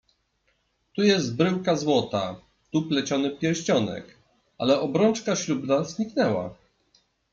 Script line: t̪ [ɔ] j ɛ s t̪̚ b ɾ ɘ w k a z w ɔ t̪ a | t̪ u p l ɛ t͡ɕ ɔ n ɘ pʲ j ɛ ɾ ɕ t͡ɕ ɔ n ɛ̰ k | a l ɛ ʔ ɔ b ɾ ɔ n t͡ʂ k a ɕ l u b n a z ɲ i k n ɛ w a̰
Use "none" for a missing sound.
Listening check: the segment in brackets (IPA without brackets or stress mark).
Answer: u